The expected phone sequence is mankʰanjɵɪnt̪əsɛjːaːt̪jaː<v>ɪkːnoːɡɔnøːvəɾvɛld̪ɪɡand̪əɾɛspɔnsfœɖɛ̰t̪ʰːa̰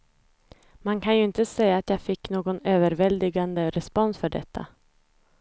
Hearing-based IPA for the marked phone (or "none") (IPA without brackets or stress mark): f